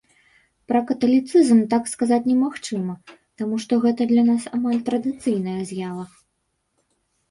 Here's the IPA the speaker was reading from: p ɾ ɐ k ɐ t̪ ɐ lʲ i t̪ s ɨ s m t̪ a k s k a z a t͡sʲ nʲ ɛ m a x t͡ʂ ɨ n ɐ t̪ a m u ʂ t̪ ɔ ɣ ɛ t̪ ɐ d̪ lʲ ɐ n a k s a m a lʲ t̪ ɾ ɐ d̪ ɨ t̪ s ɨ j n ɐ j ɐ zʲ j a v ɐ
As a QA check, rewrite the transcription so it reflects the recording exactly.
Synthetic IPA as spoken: p ɾ ɐ k ɐ t̪ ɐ lʲ i t̪ s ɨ z m t̪ a k s k a z a t͡sʲ nʲ ɛ m a x t͡ʂ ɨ m ɐ t̪ a m u ʂ t̪ ɔ ɣ ɛ t̪ ɐ d̪ lʲ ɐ n a s a m a lʲ t̪ ɾ ɐ d̪ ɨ t̪ s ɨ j n ɐ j ɐ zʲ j a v ɐ